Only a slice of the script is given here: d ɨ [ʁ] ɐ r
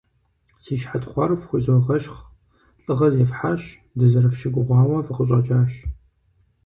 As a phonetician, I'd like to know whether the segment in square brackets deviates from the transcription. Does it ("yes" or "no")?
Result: yes